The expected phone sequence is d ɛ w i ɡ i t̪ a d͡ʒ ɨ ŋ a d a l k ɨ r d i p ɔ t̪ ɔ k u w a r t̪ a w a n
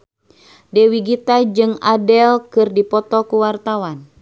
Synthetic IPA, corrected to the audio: d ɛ w i ɡ i t̪ a d͡ʒ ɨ ŋ a d ɛ l k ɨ r d i p ɔ t̪ ɔ k u w a r t̪ a w a n